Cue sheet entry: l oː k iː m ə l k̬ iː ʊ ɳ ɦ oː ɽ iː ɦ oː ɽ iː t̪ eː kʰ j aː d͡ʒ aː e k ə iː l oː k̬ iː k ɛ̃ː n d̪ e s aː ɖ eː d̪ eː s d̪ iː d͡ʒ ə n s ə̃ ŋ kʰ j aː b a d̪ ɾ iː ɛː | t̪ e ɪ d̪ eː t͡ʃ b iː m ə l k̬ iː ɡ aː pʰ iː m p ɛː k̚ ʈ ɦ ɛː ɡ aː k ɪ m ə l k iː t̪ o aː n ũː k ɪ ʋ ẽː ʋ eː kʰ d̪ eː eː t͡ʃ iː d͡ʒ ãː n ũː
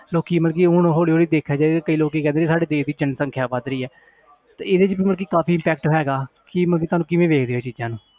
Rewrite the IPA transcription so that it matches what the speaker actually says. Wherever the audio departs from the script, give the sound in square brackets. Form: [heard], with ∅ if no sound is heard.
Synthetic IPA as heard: l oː k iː m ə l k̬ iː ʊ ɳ ɦ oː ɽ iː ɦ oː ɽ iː [d̪] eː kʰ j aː d͡ʒ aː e k ə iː l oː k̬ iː k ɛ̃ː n d̪ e s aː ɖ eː d̪ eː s d̪ iː d͡ʒ ə n s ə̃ ŋ kʰ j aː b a d̪ ɾ iː ɛː | t̪ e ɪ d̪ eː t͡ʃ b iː m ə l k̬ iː [k] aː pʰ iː m p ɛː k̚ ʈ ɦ ɛː ɡ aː k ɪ m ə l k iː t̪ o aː n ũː k ɪ ʋ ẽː ʋ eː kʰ d̪ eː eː t͡ʃ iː d͡ʒ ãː n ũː